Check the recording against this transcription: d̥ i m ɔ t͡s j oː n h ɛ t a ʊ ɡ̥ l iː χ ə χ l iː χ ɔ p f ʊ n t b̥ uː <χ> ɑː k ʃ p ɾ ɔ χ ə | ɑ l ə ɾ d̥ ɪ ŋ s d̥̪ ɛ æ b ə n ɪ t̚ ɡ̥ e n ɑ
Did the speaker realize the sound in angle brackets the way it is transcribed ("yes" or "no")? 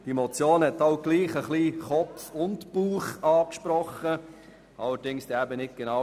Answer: yes